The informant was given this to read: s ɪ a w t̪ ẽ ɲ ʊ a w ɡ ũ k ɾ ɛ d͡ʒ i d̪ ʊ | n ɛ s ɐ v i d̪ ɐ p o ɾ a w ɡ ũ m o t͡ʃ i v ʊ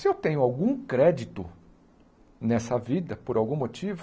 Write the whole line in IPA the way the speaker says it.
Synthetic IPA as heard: s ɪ e w t̪ ẽ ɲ ʊ a w ɡ ũ k ɾ ɛ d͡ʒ i t̪ ʊ | n ɛ s ɐ v i d̪ ɐ p o ɾ a w ɡ ũ m o t͡ʃ i v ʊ